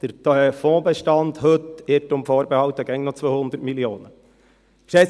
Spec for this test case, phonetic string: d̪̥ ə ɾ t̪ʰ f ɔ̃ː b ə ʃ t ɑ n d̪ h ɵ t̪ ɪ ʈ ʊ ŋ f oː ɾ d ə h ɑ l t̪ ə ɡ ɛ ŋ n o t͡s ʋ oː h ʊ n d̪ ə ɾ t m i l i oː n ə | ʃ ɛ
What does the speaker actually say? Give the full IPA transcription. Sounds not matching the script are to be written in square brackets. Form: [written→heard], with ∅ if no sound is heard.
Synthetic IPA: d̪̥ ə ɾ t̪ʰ f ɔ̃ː b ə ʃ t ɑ n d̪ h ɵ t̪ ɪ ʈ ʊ [ŋ→m] f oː ɾ [d→b] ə h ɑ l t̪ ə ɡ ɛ ŋ n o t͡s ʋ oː h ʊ n d̪ ə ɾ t m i l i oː n ə | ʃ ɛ